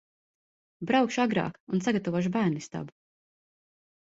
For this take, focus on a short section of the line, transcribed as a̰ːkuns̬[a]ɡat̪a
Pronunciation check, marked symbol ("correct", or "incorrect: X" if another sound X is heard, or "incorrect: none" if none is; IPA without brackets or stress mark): correct